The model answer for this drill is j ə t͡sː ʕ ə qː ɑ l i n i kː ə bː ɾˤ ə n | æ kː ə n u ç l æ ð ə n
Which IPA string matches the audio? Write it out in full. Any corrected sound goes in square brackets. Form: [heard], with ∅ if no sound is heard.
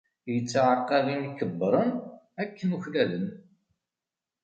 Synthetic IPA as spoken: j ə t͡sː ʕ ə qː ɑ l i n i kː ə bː ɾˤ ə n | æ kː ə n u ç l æ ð ə n